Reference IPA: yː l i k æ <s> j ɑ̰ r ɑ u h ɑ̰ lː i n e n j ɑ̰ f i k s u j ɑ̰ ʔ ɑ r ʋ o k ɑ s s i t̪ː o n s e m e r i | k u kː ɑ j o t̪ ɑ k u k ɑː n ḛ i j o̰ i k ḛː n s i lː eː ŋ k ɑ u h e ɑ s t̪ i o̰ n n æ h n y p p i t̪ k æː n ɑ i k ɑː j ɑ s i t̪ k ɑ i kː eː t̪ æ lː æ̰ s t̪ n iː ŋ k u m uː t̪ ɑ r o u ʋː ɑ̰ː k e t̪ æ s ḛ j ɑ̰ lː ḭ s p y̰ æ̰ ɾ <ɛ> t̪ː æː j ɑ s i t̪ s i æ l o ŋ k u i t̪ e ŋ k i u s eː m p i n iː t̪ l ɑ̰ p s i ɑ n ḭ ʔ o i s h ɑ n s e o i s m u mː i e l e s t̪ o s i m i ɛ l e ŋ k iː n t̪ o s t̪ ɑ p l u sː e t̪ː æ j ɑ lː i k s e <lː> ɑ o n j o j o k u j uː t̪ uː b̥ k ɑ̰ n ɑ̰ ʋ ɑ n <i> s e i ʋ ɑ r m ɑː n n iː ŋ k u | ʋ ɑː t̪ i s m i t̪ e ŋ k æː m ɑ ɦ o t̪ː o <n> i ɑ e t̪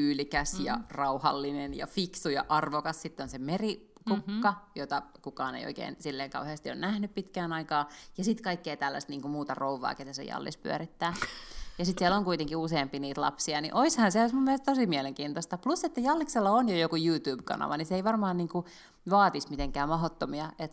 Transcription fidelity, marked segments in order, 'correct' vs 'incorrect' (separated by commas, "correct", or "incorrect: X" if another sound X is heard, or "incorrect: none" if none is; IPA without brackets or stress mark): correct, incorrect: i, correct, correct, incorrect: m